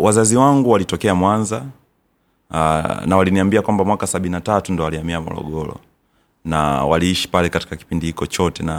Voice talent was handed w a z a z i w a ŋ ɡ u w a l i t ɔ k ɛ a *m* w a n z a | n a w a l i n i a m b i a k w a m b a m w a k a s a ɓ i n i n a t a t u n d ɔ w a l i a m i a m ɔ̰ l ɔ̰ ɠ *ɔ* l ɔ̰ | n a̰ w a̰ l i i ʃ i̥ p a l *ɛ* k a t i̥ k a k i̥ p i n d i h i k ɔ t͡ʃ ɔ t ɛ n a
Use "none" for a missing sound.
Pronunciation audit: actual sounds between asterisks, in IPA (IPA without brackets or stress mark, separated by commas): m, ɔ, ɛ